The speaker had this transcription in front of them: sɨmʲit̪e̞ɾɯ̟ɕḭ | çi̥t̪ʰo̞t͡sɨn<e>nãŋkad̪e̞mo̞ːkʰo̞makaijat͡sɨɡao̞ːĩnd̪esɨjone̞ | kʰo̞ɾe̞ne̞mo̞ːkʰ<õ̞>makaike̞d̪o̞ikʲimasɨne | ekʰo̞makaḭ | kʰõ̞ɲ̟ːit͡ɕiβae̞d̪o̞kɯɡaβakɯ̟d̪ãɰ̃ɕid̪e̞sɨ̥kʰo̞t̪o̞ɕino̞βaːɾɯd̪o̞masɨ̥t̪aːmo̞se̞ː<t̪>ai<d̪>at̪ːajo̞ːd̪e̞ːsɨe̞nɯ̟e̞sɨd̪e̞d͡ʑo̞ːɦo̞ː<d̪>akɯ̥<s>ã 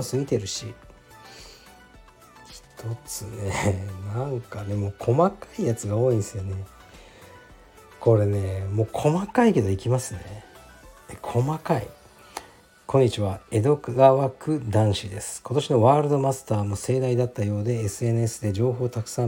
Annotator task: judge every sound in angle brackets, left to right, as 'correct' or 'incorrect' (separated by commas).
correct, incorrect, incorrect, correct, incorrect, correct